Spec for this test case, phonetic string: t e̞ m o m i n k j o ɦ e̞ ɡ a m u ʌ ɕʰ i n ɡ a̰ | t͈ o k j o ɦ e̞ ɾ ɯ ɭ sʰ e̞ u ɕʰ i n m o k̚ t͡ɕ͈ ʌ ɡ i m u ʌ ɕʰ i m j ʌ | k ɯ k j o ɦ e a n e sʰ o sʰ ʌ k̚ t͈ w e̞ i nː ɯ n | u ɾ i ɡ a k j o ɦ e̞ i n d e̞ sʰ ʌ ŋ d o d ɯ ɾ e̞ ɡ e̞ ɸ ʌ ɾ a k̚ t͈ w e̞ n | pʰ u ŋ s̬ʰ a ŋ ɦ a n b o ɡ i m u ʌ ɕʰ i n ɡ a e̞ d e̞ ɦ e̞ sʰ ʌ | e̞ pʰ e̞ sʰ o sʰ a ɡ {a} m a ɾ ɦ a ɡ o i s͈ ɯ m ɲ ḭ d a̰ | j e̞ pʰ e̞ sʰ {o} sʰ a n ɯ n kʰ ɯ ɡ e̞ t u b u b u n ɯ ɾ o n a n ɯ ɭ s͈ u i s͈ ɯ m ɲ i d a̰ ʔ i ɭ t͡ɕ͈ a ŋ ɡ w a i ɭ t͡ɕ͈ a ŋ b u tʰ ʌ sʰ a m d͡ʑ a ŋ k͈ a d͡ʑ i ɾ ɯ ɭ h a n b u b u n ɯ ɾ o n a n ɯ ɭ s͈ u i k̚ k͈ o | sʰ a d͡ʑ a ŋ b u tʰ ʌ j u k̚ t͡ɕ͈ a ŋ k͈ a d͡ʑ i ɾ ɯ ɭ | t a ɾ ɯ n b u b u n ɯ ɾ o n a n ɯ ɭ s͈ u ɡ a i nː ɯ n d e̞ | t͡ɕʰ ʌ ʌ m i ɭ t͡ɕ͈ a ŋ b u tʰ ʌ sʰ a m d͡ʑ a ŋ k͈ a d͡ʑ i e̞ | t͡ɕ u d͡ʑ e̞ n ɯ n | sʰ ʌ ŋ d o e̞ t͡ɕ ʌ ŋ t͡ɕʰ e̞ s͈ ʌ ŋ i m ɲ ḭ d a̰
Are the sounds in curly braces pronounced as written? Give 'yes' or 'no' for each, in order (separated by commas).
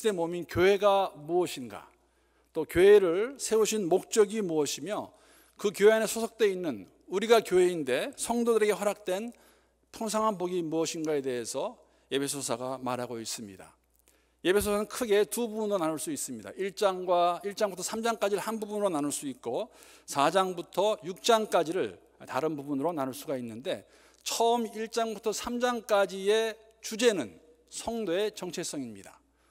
yes, yes